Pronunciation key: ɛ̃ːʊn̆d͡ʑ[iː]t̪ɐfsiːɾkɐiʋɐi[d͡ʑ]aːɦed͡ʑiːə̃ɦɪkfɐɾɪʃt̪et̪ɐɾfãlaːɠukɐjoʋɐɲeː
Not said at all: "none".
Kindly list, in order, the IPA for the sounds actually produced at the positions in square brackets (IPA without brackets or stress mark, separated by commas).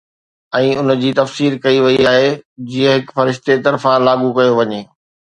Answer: iː, none